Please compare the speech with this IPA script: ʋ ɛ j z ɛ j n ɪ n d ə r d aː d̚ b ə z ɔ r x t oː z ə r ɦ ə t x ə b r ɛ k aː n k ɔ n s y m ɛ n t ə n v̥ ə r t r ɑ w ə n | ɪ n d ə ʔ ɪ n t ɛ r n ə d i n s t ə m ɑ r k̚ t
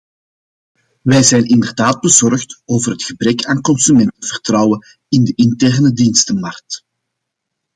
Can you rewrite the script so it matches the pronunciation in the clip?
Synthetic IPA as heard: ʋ ɛ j z ɛ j n ɪ n d ə r d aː d̚ b ə z ɔ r x t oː v ə r ɦ ə t x ə b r ɛ k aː n k ɔ n s y m ɛ n t ə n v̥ ə r t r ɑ w ə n | ɪ n d ə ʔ ɪ n t ɛ r n ə d i n s t ə m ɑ r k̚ t